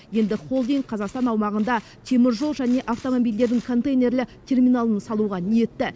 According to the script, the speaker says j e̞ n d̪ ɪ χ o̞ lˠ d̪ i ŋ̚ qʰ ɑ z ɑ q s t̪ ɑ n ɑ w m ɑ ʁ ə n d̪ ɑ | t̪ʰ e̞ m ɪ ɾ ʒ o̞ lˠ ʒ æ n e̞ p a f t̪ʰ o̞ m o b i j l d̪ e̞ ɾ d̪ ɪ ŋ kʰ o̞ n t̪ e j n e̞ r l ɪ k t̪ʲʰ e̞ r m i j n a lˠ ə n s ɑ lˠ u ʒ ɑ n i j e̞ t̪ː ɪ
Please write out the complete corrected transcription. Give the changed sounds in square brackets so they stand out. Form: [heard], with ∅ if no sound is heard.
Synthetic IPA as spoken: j e̞ n d̪ ɪ χ o̞ lˠ d̪ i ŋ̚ qʰ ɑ z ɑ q s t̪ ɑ n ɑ w m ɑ ʁ ə n d̪ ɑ | t̪ʰ e̞ m ɪ ɾ ʒ o̞ lˠ ʒ æ n e̞ [ʔ] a f [t̪] o̞ m o b i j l d̪ e̞ ɾ d̪ ɪ ŋ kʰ o̞ n t̪ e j n e̞ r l ɪ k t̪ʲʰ e̞ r m i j n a lˠ ə n s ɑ lˠ u [ʁ] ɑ n i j e̞ t̪ː ɪ